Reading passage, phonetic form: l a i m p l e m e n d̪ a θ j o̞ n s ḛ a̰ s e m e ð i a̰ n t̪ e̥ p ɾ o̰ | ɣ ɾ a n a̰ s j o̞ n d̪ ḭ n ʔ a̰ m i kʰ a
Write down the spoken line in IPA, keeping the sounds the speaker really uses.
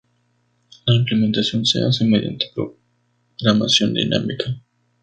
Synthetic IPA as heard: l a i m p l e m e n t̪ a s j o̞ n s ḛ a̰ s e m e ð j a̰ n t̪ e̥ p ɾ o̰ | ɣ ɾ a m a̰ s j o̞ n d̪ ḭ n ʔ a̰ m i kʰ a

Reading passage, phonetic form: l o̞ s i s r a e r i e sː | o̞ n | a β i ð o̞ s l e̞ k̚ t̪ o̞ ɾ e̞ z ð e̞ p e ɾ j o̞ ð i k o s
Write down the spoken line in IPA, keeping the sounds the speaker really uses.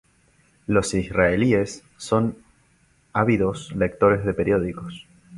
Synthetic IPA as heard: l o̞ s i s r a e l i e sː | o̞ n | a β i ð o̞ s l e̞ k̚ t̪ o̞ ɾ e̞ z ð e̞ p e ɾ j o̞ ð i k o s

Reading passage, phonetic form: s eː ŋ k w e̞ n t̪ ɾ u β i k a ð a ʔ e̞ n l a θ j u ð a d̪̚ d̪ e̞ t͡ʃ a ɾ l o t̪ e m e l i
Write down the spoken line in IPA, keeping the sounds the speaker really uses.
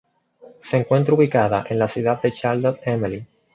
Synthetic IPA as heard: s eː ŋ k w e̞ n t̪ ɾ u β i k a ð a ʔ e̞ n l a s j u ð a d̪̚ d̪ e̞ t͡ʃ a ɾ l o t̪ e m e l i

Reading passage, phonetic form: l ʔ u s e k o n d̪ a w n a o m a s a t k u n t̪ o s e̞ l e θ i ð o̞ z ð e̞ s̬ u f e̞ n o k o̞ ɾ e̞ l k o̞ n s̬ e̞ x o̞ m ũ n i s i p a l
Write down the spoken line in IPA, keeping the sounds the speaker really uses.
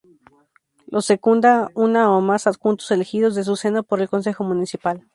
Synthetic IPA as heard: l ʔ o s e k u n d̪ a u n a o m a s a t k u n t̪ o s e̞ l e x i ð o̞ z ð e̞ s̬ u s e̞ n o p o̞ ɾ e̞ l k o̞ n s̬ e̞ x o̞ m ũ n i s i p a l

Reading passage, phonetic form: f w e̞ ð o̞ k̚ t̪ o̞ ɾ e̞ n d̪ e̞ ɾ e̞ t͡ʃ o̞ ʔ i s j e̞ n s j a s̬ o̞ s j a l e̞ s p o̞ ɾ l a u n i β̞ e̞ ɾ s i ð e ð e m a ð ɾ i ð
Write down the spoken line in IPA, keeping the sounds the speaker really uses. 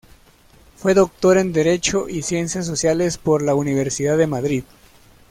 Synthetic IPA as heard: f w e̞ ð o̞ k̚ t̪ o̞ ɾ e̞ n d̪ e̞ ɾ e̞ t͡ʃ o̞ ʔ i s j e̞ n s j a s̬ o̞ s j a l e̞ s p o̞ ɾ l a u n i β̞ e̞ ɾ s i ð a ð e m a ð ɾ i ð

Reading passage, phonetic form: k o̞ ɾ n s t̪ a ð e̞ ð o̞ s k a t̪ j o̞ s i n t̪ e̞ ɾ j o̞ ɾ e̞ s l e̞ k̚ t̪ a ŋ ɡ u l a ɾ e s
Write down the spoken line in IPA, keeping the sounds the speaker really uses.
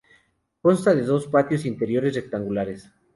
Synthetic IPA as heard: k o̞ n s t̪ a ð e̞ ð o̞ s p a t̪ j o̞ s i n t̪ e̞ ɾ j o̞ ɾ e̞ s r e̞ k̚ t̪ a ŋ ɡ u l a ɾ e s

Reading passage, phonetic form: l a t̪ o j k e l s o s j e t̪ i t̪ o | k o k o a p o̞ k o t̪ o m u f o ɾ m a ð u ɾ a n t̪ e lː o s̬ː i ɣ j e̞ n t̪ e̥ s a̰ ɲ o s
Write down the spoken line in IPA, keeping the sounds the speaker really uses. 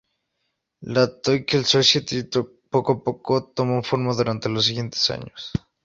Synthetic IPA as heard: l a t̪ o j k e l s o s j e t̪ i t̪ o | p o k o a p o̞ k o t̪ o m o f o ɾ m a ð u ɾ a n t̪ e l o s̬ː i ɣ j e̞ n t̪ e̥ s a̰ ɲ o s

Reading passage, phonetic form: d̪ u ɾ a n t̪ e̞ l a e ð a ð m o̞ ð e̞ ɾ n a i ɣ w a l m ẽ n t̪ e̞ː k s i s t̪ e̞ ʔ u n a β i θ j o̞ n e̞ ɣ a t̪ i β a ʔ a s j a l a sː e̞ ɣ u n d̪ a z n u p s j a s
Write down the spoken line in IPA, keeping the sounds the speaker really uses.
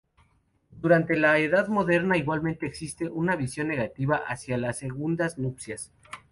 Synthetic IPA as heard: d̪ u ɾ a n t̪ e̞ l a e ð a ð m o̞ ð e̞ ɾ n a i ɣ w a l m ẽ n t̪ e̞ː k s i s t̪ e̞ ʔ u n a β i s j o̞ nː e̞ ɣ a t̪ i β a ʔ a s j a l a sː e̞ ɣ u n d̪ a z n u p s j a s

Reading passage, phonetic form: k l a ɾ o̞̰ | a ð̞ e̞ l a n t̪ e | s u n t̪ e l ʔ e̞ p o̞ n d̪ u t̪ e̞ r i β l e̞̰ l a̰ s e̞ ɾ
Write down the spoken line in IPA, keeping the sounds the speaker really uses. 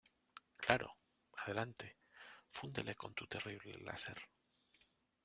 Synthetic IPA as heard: k l a ɾ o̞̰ | a ð̞ e̞ l a n t̪ e | f u n d̪ e l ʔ e̞ k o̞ n t̪ u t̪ e̞ r i β l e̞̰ l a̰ s e̞ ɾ

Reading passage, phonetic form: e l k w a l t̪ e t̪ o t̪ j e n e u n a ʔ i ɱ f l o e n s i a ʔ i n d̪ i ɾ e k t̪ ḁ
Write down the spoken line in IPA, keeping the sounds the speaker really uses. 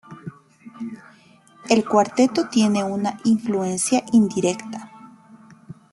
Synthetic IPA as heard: e l k w a ɾ t̪ e t̪ o t̪ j e n e u n a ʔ i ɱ f l u e n s j a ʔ i n d̪ i ɾ e k t̪ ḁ

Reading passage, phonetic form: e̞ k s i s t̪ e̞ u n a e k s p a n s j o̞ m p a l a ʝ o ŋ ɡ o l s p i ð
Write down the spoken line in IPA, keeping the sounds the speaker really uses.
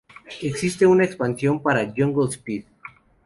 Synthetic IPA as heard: e̞ k s i s t̪ e̞ u n a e k s p a n s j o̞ m p a ɾ a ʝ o ŋ ɡ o l s p i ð

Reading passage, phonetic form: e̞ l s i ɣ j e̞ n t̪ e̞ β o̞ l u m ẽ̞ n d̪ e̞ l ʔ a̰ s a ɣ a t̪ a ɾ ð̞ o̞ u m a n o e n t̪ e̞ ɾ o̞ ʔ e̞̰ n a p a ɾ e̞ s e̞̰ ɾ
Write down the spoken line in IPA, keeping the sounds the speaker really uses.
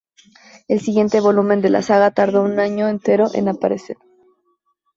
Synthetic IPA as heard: e̞ l s i ɣ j e̞ n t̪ e̞ β o̞ l u m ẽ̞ n d̪ e̞ l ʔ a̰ s a ɣ a t̪ a ɾ ð̞ o̞ u n a ɲ o e n t̪ e̞ ɾ o̞ ʔ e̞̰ n a p a ɾ e̞ s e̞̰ ɾ

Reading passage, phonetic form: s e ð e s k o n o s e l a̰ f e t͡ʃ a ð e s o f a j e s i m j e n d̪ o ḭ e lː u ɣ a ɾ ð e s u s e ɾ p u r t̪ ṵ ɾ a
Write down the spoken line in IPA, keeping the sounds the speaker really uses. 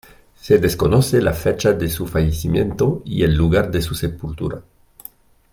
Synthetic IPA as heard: s e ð e s k o n o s e l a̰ f e t͡ʃ a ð e s u f a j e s i m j e n t̪ o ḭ e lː u ɣ a ɾ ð e s u s e p u l t̪ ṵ ɾ a

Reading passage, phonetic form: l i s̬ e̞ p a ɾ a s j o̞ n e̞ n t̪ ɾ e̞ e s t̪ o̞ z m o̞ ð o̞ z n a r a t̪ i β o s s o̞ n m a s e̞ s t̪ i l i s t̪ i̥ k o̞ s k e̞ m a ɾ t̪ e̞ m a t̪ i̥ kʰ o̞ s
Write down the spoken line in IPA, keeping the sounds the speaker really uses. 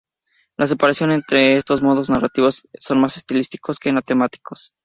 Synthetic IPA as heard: l a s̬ e̞ p a ɾ a s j o̞ n e̞ n t̪ ɾ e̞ e s t̪ o̞ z m o̞ ð o̞ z n a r a t̪ i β o s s o̞ n m a s e̞ s t̪ i l i s t̪ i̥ k o̞ s k e̞ m a t̪ e̞ m a t̪ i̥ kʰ o̞ s

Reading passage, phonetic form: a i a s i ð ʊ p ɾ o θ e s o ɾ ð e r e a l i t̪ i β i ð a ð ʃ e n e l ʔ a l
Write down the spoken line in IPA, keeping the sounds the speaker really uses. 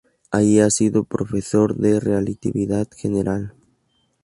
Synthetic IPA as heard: a i a s i ð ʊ p ɾ o f e s o ɾ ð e r e a l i t̪ i β i ð a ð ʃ e n e ɾ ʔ a l

